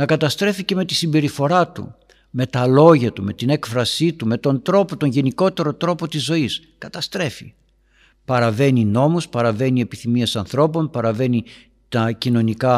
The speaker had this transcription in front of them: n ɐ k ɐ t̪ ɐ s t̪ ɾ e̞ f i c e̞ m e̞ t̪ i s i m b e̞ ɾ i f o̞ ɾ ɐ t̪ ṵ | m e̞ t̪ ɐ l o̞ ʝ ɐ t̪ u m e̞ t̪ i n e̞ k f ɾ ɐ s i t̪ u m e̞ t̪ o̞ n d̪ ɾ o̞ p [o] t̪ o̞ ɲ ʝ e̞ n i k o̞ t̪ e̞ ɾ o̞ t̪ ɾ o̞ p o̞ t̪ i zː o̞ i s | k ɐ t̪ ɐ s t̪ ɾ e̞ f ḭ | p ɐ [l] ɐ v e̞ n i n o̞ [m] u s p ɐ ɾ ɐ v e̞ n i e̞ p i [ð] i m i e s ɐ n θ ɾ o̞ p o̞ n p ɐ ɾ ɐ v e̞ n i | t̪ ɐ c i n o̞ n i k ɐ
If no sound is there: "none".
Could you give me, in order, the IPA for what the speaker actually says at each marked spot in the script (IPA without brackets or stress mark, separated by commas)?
o, ɾ, m, θ